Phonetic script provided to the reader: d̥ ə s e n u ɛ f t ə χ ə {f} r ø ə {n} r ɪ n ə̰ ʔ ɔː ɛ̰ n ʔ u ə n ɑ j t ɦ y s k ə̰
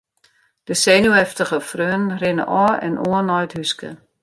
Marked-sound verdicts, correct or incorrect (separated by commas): correct, correct